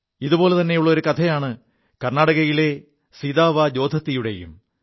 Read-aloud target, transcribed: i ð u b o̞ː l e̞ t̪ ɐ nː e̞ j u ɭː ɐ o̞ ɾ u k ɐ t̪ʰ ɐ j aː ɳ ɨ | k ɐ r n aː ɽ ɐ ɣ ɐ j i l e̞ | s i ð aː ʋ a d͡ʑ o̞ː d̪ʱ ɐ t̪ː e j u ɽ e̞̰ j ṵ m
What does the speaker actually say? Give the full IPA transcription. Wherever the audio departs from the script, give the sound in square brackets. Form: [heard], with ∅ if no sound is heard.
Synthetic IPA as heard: i ð u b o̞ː l e̞ t̪ ɐ nː e̞ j u ɭː ɐ o̞ ɾ u k ɐ t̪ʰ ɐ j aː ɳ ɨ | k ɐ r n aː ɽ ɐ ɣ ɐ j i l e̞ | s i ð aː ʋ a d͡ʑ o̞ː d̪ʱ ɐ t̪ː [i] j u ɽ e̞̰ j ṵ m

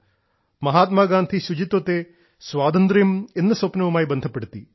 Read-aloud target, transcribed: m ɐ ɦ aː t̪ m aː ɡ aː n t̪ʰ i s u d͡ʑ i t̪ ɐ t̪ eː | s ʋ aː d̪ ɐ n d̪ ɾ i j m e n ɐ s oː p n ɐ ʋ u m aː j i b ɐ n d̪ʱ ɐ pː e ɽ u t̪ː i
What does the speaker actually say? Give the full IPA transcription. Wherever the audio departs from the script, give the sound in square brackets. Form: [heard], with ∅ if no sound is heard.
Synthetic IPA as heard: m ɐ ɦ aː t̪ m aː ɡ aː n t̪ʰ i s u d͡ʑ i t̪ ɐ t̪ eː | s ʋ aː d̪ ɐ n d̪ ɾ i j m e [nː] ɐ s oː p n ɐ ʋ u m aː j i b ɐ n d̪ʱ ɐ pː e ɽ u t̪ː i

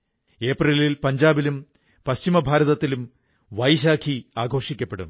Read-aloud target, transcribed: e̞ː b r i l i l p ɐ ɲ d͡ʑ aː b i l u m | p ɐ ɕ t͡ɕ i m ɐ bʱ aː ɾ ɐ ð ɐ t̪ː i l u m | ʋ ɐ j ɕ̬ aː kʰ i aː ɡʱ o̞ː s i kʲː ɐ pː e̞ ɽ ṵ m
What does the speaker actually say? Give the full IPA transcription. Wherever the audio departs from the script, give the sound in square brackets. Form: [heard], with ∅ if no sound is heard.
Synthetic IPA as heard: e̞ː [p] r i l i l p ɐ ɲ d͡ʑ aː b i l u m | p ɐ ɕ t͡ɕ i m ɐ bʱ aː ɾ ɐ ð ɐ t̪ː i l u m | ʋ ɐ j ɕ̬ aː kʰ i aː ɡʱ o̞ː [ʂ] i kʲː ɐ pː e̞ ɽ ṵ m

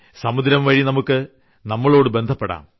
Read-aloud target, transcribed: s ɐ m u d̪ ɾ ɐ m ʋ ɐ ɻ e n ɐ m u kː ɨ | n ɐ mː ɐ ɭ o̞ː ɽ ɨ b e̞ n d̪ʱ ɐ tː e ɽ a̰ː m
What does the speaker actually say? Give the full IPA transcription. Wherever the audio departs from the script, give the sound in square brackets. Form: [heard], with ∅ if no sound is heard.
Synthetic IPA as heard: s ɐ m u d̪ ɾ ɐ m ʋ ɐ ɻ [i] n ɐ m u kː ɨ | n ɐ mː ɐ ɭ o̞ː ɽ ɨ b e̞ n d̪ʱ ɐ [pː] e ɽ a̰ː m

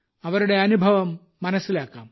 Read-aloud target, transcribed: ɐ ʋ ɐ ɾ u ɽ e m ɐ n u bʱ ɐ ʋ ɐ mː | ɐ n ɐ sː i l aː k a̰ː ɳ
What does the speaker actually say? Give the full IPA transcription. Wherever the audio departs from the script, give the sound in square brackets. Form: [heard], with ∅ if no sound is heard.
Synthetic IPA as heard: ɐ ʋ ɐ ɾ u ɽ e [∅] ɐ n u bʱ ɐ ʋ ɐ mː | ɐ n ɐ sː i l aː k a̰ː [m]

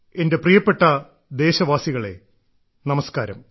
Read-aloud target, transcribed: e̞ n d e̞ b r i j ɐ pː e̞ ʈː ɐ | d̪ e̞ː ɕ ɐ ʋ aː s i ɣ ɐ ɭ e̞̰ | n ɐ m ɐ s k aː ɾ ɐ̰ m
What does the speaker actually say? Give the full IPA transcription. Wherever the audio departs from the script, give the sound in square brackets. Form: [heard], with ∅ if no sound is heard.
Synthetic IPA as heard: e̞ n d e̞ [p] r i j ɐ pː e̞ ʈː ɐ | d̪ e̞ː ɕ ɐ ʋ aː s i ɣ ɐ ɭ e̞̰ | n ɐ m ɐ s k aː ɾ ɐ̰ m

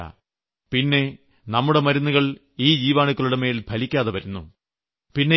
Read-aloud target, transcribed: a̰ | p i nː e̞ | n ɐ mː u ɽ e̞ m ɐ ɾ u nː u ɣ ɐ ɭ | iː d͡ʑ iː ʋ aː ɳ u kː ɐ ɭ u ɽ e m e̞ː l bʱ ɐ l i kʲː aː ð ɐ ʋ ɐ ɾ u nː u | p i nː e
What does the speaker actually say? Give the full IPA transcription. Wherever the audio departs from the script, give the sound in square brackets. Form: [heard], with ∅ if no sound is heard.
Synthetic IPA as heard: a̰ | p i nː e̞ | n ɐ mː u ɽ e̞ m ɐ ɾ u nː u ɣ ɐ ɭ | iː d͡ʑ iː ʋ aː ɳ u kː ɐ ɭ u ɽ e m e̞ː l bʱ ɐ l i kʲː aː ð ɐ ʋ ɐ ɾ u nː u | p i nː e

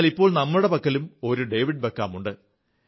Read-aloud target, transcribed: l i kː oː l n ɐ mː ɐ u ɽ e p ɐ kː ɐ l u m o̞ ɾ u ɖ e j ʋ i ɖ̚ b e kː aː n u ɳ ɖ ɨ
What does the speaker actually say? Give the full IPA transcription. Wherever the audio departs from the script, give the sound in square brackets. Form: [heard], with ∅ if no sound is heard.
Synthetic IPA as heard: l i [pː] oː [ɭ] n ɐ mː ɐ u ɽ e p ɐ kː ɐ l u m o̞ ɾ u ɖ e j ʋ i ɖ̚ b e kː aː [m] u ɳ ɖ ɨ

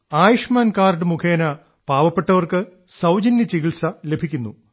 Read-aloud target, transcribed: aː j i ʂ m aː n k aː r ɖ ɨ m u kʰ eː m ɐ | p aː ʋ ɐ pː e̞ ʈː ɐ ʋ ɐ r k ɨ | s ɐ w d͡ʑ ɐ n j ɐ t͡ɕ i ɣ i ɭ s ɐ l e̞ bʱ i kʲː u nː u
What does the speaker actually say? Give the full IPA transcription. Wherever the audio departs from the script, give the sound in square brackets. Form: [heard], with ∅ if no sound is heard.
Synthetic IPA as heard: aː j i ʂ m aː n k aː r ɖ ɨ m u kʰ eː [n] ɐ | p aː ʋ ɐ pː e̞ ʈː ɐ ʋ ɐ r k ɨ | s ɐ w d͡ʑ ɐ n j ɐ t͡ɕ i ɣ i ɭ s ɐ l e̞ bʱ i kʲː u nː u

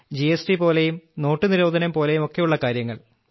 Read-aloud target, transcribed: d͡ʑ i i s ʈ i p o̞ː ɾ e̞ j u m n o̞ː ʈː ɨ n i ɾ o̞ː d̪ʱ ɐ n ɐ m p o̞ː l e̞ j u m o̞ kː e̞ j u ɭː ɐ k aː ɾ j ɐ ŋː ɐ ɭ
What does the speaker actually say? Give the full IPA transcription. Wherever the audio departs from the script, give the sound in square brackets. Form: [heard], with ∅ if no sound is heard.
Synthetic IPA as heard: d͡ʑ i [e] s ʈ i p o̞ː [l] e̞ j u m n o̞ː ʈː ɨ n i ɾ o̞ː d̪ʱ ɐ n ɐ m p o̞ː l e̞ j u m o̞ kː e̞ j u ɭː ɐ k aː ɾ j ɐ ŋː ɐ ɭ

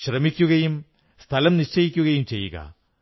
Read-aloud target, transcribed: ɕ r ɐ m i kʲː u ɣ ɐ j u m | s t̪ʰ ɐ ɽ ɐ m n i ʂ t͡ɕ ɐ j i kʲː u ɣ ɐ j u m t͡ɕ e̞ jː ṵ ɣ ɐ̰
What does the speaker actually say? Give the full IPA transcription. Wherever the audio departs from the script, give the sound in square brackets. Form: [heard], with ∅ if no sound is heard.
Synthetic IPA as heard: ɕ r ɐ m i kʲː u ɣ ɐ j u m | s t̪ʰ ɐ [l] ɐ m n i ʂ t͡ɕ ɐ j i kʲː u ɣ ɐ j u m t͡ɕ e̞ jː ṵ ɣ ɐ̰

